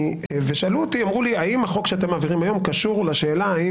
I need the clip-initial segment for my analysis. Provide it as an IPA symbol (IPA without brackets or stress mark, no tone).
v